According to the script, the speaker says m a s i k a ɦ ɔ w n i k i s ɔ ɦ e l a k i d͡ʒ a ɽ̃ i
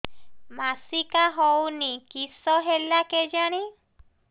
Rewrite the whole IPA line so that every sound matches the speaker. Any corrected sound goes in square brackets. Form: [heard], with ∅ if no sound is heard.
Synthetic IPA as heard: m a s i k a ɦ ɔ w n i k i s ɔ ɦ e l a k [e] d͡ʒ a ɽ̃ i